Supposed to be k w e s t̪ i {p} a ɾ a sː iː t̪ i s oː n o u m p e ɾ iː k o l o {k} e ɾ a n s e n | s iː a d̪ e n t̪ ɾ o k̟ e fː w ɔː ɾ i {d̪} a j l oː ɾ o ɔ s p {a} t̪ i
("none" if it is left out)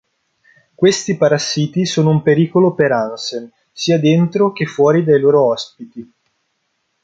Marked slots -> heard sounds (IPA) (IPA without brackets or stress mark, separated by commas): p, p, d̪, i